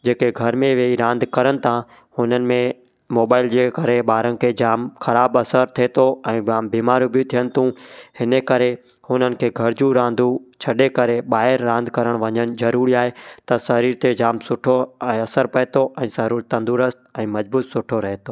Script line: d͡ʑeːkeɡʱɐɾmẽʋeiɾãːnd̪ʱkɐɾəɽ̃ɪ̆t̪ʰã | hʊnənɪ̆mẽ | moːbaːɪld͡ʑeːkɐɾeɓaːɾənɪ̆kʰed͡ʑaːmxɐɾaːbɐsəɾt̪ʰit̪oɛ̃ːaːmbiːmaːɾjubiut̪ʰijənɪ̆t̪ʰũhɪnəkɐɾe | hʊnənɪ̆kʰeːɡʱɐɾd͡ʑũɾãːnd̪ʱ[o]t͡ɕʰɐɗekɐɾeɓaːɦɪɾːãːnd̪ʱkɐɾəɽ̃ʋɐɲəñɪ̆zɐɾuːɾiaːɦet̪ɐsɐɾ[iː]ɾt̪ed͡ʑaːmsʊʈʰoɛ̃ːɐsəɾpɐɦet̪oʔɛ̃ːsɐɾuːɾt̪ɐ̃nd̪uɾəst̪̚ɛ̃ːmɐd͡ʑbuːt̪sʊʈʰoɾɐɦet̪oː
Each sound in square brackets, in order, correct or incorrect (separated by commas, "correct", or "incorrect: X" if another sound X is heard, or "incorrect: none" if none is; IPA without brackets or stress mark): incorrect: u, correct